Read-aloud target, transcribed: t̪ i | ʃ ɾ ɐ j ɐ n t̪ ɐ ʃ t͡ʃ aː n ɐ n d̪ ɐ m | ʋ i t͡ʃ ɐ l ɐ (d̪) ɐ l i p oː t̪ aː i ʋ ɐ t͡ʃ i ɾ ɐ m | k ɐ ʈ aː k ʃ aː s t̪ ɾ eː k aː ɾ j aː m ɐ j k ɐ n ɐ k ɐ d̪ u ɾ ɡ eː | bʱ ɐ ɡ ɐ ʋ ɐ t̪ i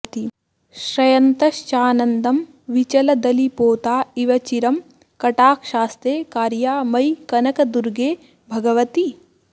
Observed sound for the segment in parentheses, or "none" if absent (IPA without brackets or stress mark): d̪